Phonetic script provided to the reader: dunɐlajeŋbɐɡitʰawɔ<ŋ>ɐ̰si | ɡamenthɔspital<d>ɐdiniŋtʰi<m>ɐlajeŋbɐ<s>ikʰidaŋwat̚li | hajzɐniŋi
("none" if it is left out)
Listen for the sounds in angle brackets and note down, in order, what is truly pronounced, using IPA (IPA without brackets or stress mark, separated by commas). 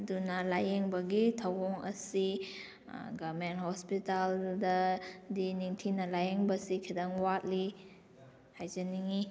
ŋ, d, n, s